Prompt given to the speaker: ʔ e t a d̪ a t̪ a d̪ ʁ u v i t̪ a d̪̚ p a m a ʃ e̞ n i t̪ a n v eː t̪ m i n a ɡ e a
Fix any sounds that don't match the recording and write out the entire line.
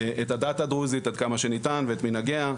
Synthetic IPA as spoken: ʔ e t a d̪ a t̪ a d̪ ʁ u z i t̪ a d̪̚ k a m a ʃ e̞ n i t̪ a n v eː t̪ m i n a ɡ e a